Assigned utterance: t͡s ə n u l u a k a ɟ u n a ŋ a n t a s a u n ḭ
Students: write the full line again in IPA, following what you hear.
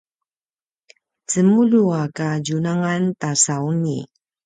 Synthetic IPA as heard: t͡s ə m u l u a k a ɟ u n a ŋ a n t a s a u n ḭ